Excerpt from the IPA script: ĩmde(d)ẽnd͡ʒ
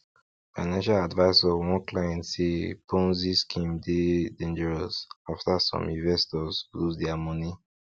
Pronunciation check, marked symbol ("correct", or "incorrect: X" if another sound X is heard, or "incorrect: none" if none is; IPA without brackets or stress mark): correct